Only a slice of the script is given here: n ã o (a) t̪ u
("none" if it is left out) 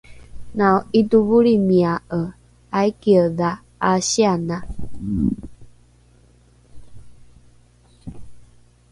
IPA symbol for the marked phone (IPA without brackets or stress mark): i